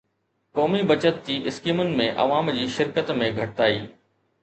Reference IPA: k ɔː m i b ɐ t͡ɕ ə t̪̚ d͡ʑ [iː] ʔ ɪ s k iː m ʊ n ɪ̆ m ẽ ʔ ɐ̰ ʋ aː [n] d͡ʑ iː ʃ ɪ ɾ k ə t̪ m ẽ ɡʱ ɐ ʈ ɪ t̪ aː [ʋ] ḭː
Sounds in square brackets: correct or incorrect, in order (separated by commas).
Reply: correct, incorrect, incorrect